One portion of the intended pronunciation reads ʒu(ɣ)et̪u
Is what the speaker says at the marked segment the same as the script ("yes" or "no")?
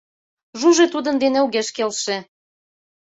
no